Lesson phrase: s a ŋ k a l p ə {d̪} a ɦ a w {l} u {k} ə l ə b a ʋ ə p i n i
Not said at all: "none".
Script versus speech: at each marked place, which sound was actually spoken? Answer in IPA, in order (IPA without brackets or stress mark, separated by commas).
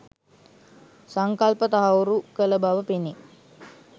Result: t̪, ɾ, k